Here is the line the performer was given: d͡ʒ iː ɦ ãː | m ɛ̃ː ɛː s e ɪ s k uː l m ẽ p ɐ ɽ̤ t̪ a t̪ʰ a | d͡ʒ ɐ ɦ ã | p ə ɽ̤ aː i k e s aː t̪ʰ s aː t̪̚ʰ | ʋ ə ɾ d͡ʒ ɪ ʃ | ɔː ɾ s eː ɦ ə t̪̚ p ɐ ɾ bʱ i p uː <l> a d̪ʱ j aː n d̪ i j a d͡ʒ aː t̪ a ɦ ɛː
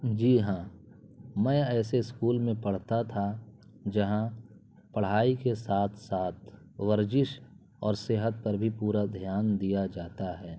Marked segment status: incorrect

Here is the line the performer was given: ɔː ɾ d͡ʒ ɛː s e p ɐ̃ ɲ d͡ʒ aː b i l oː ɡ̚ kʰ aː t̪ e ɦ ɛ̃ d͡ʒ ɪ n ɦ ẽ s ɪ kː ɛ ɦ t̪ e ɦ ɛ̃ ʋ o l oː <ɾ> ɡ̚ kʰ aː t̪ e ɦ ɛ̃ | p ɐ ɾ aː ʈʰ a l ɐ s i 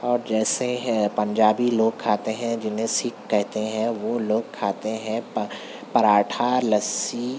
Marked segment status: incorrect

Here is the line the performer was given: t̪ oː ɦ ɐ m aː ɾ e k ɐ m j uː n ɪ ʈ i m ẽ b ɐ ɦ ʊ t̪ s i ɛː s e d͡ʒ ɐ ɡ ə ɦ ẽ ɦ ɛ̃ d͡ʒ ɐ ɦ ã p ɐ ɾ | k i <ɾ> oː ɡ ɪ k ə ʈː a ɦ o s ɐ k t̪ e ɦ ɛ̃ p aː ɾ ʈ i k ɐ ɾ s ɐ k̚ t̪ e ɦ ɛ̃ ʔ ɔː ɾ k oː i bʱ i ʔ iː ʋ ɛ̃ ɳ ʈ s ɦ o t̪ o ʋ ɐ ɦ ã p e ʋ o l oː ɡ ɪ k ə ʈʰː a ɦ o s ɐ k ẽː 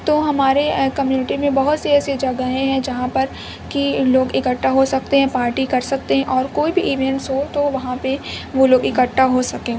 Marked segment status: incorrect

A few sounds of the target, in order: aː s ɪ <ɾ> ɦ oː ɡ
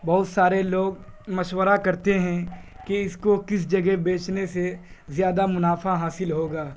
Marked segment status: incorrect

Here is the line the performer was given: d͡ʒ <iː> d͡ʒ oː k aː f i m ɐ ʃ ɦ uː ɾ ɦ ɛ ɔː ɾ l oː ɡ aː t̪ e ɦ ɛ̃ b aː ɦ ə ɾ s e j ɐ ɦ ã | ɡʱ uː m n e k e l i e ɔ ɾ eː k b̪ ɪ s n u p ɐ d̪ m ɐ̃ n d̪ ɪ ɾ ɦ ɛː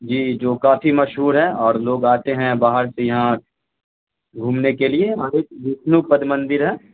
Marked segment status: correct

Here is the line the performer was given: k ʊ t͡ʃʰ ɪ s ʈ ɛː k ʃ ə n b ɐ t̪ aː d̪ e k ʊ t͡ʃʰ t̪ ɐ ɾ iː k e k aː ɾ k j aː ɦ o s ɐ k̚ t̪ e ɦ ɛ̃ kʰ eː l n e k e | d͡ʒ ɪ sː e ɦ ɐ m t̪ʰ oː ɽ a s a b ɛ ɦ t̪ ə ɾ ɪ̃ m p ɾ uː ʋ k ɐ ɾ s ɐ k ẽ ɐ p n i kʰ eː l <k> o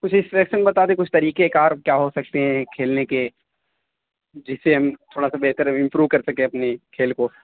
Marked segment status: correct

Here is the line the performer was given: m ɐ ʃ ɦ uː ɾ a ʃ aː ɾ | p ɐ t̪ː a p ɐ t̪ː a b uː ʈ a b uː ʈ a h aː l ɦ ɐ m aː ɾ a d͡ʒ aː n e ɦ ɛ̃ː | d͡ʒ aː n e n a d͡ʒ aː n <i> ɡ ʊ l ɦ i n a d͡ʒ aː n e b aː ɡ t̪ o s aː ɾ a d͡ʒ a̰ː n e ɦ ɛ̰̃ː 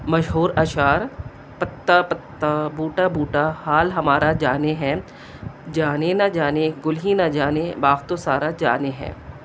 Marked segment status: incorrect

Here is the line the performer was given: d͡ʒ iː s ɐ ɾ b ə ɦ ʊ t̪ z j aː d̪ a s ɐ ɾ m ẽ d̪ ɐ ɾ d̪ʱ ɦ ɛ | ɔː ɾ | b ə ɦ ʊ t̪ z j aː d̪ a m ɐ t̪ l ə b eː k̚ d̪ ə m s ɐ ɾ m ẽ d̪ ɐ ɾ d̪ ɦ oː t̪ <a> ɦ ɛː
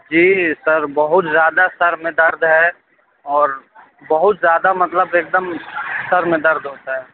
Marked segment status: correct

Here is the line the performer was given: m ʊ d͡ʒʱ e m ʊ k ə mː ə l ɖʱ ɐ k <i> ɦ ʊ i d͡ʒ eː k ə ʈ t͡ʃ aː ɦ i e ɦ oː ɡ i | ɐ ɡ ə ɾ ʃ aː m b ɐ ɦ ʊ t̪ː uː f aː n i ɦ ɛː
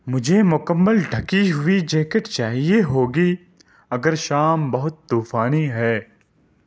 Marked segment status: correct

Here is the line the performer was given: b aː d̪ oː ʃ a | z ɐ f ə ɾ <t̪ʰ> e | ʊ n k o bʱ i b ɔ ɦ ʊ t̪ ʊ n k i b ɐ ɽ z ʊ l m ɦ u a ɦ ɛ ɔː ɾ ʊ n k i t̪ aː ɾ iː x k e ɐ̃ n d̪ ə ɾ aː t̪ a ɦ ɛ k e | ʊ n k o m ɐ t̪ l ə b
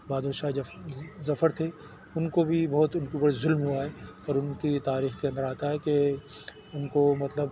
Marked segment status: correct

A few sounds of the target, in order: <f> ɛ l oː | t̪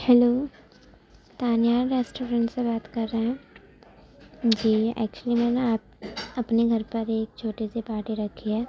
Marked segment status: incorrect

